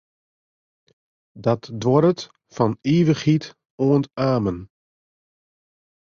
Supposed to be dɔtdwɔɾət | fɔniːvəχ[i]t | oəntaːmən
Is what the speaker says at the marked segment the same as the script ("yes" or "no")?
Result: yes